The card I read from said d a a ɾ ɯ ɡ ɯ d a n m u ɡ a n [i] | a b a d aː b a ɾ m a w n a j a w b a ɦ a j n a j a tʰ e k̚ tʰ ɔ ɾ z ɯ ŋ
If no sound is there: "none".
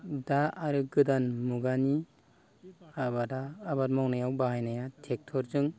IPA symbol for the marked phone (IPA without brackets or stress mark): i